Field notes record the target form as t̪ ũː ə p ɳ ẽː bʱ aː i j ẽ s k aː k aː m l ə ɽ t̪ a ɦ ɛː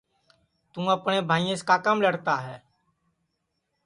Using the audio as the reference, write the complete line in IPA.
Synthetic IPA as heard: t̪ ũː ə p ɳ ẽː bʱ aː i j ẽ s k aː k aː m l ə ɽ t̪ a ɦ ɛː